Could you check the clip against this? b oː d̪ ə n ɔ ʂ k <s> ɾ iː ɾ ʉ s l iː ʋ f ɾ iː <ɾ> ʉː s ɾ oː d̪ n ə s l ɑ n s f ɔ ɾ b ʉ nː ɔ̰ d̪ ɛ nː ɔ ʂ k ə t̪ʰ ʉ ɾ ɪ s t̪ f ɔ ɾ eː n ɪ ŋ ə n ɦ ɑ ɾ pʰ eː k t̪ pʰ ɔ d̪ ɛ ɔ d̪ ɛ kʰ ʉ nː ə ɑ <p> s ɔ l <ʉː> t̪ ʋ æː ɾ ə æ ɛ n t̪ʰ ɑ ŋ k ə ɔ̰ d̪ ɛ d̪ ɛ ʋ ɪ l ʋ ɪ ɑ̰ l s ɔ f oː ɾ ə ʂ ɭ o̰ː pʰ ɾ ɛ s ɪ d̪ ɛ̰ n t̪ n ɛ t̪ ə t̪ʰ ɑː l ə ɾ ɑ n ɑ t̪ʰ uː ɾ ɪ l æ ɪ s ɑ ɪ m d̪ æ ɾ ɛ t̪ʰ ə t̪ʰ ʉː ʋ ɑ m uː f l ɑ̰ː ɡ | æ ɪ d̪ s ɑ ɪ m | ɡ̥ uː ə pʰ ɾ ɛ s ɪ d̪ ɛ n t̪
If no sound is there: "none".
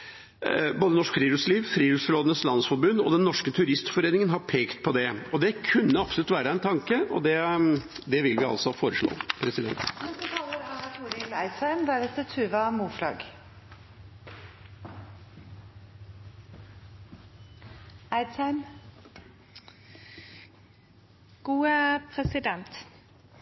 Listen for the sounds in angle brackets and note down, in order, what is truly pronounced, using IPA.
f, ɾ, p, ʉ

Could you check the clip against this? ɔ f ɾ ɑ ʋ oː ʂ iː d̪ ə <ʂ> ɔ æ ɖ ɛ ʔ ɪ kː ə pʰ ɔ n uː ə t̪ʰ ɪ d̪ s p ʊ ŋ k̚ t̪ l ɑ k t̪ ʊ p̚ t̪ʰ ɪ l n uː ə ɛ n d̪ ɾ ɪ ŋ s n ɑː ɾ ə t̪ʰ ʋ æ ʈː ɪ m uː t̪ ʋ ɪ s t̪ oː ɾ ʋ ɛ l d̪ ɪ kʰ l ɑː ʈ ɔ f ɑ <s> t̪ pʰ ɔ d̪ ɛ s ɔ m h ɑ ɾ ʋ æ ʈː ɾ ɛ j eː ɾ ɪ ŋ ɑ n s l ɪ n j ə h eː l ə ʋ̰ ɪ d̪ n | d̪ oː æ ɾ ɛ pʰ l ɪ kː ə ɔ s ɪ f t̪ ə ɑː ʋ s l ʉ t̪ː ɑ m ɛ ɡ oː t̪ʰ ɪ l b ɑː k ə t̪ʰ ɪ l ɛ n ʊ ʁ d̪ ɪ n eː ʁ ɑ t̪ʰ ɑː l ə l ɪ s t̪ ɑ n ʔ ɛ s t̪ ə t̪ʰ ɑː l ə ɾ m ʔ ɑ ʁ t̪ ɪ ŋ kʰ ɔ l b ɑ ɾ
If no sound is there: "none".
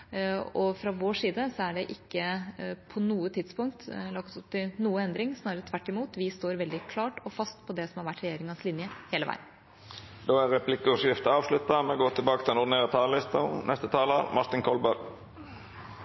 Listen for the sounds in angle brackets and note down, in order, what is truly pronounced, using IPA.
s, s

